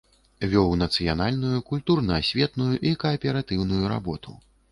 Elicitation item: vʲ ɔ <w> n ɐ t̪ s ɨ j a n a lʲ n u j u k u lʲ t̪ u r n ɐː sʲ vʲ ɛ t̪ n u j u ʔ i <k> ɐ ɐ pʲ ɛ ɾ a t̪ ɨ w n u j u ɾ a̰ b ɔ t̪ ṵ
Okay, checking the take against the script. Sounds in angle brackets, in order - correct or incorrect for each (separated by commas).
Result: correct, correct